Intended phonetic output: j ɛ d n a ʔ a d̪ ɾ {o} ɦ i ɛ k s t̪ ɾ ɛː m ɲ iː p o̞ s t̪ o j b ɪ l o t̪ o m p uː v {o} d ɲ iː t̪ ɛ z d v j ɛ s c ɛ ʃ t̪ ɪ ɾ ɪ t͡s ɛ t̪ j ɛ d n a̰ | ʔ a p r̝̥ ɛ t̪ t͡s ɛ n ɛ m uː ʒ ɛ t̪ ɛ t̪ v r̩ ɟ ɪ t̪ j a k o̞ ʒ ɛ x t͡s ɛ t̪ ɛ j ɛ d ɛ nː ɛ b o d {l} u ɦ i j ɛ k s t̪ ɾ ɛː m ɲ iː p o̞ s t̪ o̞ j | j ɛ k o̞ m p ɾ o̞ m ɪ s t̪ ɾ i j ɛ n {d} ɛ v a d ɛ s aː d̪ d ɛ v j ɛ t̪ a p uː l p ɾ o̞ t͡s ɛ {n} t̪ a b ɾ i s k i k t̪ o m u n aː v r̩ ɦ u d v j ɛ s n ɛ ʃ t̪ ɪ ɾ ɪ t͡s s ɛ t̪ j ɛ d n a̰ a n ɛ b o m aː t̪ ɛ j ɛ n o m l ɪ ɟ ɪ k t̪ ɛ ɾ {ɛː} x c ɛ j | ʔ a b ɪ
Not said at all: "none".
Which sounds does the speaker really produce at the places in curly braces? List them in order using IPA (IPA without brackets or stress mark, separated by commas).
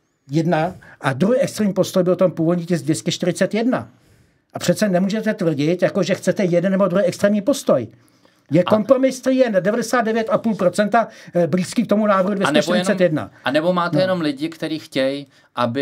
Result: u, o, ɾ, d, n, iː